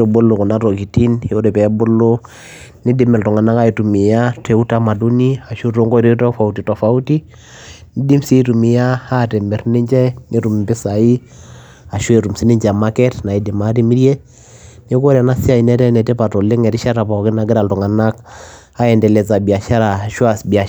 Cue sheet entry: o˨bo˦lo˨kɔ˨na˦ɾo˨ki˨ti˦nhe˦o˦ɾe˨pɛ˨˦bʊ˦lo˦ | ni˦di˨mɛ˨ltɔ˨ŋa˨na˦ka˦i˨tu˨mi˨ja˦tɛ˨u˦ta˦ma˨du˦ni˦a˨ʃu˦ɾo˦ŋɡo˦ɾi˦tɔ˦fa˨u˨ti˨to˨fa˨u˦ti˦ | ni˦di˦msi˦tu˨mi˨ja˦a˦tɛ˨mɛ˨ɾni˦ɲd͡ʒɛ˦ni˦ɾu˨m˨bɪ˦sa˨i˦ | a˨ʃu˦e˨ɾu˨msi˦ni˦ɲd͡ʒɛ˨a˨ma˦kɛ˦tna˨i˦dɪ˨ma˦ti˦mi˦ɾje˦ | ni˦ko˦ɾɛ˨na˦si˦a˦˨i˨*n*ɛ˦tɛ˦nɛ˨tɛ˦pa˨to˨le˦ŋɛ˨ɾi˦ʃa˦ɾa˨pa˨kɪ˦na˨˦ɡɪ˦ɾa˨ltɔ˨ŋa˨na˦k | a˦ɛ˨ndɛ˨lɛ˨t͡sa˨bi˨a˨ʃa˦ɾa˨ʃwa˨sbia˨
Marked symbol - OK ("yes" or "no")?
yes